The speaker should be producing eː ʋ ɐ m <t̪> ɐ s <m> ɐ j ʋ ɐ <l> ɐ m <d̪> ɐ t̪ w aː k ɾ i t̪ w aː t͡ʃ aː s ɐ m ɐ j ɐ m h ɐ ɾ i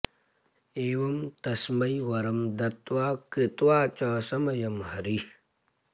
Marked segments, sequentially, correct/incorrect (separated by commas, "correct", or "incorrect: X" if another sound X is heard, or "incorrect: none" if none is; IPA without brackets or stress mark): correct, correct, incorrect: ɾ, correct